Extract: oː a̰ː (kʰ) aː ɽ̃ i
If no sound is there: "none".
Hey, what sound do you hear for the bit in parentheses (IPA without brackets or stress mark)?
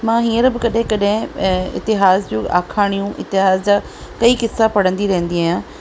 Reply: kʰ